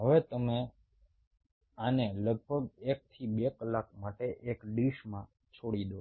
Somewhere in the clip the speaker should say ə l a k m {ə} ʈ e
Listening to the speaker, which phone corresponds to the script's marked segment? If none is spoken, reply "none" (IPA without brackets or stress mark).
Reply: a